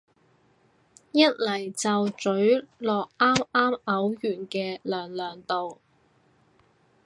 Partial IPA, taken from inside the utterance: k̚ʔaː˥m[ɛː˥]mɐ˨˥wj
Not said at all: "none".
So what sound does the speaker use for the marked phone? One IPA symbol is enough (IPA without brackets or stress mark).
aː˥